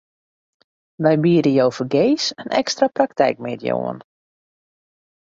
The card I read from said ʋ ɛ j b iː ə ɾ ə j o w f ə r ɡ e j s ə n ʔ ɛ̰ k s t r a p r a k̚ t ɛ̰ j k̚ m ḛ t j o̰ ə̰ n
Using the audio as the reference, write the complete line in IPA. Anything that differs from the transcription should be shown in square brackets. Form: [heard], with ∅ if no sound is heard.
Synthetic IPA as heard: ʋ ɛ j b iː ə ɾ ə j o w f ə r ɡ e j s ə n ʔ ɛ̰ k s t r a p r a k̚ t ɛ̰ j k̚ m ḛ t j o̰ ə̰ n